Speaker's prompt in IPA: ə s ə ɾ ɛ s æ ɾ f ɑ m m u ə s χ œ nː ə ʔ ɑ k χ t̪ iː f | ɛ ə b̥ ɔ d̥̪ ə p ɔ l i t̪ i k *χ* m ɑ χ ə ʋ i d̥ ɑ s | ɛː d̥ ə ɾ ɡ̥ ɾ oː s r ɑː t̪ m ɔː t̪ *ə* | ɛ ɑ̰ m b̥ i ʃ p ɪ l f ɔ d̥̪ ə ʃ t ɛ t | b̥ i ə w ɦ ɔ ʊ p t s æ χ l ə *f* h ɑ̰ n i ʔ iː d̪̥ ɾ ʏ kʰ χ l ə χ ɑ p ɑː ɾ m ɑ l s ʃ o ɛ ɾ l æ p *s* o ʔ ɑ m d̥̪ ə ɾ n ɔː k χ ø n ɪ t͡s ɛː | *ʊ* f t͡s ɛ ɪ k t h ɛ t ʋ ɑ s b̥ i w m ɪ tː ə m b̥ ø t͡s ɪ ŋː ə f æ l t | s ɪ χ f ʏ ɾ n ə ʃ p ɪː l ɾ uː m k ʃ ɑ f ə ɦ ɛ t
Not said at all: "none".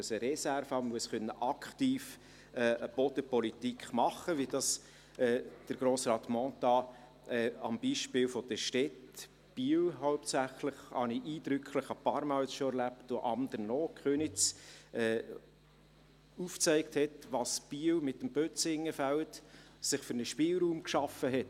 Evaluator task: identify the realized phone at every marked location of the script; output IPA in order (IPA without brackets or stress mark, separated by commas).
χ, ɑ, χ, t, u